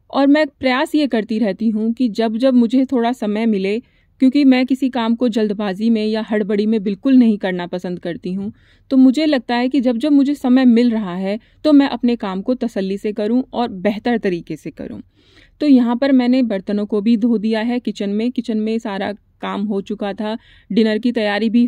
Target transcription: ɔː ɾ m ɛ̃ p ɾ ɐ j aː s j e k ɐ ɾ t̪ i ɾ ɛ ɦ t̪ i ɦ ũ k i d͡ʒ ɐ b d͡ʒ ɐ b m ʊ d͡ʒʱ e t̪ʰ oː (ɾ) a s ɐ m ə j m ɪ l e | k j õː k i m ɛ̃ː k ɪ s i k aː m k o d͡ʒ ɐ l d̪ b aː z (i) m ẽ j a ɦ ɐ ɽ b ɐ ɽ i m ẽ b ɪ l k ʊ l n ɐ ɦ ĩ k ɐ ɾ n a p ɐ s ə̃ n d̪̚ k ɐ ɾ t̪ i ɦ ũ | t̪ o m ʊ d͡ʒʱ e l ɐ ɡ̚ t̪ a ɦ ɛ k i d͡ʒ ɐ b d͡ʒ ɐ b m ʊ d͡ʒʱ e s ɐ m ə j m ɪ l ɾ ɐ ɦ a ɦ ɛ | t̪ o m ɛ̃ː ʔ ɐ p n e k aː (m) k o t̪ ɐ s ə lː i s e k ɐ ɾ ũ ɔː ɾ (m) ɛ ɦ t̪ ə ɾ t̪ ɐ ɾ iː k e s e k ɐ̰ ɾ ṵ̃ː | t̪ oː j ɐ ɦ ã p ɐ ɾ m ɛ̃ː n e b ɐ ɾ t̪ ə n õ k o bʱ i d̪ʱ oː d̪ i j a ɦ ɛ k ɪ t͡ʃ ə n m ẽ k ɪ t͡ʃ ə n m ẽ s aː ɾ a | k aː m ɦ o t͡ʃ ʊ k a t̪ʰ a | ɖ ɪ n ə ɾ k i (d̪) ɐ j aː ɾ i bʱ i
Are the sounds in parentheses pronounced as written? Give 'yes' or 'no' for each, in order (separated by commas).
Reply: no, yes, yes, no, no